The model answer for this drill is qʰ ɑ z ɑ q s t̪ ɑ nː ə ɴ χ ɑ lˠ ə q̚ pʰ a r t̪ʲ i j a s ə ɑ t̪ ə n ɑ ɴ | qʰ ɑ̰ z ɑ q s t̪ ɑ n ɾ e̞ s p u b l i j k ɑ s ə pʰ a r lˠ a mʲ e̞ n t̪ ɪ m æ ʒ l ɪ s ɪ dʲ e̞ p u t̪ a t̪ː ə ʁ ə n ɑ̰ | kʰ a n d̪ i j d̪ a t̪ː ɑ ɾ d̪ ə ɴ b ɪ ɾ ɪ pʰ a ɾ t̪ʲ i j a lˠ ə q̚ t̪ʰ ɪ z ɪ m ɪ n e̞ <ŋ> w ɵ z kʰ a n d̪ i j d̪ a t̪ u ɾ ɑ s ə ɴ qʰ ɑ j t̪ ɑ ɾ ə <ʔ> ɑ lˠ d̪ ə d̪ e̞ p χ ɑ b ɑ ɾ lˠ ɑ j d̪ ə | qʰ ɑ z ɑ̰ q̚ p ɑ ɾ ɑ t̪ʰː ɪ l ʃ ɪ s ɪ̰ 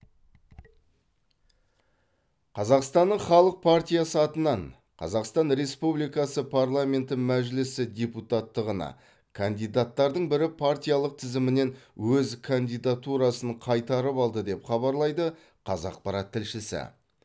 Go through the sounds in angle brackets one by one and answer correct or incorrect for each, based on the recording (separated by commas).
incorrect, incorrect